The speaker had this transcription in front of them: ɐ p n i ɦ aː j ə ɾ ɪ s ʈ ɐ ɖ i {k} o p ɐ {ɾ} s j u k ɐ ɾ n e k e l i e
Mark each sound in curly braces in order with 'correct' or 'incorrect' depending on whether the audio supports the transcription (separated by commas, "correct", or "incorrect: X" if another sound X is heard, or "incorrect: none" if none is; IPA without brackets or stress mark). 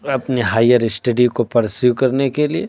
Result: correct, correct